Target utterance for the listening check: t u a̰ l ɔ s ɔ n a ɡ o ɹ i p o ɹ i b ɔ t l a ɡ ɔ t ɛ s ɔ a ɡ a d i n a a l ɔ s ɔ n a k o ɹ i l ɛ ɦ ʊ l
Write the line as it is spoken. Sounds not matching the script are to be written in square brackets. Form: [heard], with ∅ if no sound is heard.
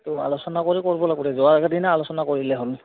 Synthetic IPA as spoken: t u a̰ l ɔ s ɔ n a [k] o ɹ i [k] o ɹ i b ɔ [∅] l a ɡ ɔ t ɛ [z] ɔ a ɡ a d i n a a l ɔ s ɔ n a k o ɹ i l ɛ ɦ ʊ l